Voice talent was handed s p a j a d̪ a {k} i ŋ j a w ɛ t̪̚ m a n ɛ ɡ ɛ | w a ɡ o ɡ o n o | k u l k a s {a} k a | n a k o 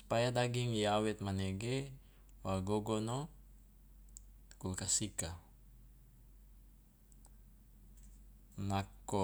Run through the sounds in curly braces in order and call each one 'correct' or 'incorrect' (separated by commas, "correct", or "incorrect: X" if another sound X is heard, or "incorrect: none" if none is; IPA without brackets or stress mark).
incorrect: ɡ, incorrect: i